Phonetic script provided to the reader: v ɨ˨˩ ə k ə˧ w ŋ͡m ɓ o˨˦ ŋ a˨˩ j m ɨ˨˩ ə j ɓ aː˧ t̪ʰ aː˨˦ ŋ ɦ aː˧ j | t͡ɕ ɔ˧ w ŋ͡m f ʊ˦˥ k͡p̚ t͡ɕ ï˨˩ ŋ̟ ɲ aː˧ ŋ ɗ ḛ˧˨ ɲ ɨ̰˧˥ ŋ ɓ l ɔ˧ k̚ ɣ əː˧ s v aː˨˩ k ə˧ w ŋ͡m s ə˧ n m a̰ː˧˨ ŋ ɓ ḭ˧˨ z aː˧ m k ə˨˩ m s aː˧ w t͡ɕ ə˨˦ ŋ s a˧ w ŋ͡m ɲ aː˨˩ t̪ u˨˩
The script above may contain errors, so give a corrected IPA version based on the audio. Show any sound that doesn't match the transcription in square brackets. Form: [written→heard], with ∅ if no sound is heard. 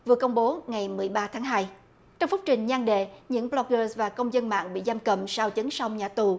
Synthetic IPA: v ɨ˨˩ ə k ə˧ w ŋ͡m ɓ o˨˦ ŋ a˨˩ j m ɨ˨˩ ə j ɓ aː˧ t̪ʰ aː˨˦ ŋ ɦ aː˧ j | t͡ɕ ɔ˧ w ŋ͡m f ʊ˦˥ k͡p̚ t͡ɕ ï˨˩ ŋ̟ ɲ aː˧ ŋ ɗ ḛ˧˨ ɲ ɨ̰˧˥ ŋ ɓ l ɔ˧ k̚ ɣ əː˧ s v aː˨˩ k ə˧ w ŋ͡m [s→z] ə˧ n m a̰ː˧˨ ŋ ɓ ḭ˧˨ z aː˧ m k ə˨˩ m s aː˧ w t͡ɕ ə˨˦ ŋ s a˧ w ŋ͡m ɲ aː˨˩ t̪ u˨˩